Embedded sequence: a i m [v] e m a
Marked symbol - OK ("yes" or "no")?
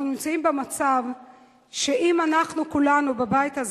no